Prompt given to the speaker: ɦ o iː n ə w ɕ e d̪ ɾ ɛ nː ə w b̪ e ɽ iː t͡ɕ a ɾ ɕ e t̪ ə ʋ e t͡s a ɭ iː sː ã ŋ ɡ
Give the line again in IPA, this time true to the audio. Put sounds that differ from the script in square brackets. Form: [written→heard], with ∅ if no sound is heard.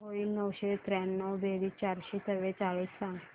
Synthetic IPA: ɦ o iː n ə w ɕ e [d̪→t̪] ɾ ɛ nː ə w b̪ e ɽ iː t͡ɕ a ɾ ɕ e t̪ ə ʋ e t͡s a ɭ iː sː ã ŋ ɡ